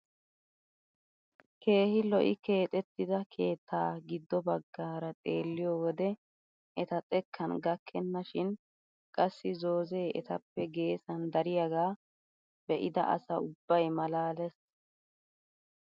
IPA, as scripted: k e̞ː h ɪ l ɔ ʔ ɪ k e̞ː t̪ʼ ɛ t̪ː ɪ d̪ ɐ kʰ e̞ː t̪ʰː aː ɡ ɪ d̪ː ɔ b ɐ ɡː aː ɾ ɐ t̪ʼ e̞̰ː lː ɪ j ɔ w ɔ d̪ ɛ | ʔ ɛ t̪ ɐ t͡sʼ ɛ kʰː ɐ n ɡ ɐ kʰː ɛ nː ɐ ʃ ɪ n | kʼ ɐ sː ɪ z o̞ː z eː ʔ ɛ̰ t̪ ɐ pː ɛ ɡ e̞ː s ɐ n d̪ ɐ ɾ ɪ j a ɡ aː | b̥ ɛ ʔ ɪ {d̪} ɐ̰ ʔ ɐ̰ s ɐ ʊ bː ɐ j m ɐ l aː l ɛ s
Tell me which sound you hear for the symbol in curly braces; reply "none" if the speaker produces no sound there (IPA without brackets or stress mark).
d̪